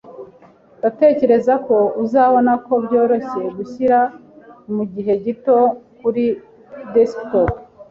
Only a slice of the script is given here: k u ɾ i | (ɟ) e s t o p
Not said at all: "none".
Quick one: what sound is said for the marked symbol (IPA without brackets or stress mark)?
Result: d